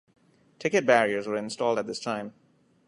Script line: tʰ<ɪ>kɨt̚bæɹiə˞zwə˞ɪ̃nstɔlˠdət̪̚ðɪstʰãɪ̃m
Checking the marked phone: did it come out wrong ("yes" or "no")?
no